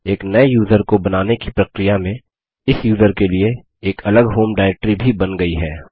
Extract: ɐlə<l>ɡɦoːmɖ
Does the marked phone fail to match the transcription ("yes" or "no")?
yes